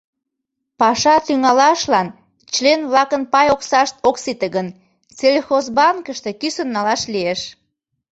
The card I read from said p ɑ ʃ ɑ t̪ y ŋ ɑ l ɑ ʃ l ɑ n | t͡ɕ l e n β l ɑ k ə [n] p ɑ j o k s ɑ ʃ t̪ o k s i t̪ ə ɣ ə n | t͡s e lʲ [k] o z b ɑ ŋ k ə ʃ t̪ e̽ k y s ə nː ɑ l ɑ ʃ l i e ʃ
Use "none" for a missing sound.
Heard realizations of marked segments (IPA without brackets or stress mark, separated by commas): n, x